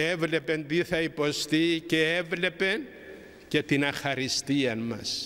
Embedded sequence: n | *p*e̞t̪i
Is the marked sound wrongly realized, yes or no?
yes